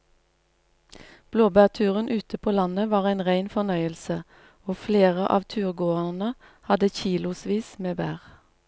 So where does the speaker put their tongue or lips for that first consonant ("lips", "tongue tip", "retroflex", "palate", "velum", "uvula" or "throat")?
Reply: lips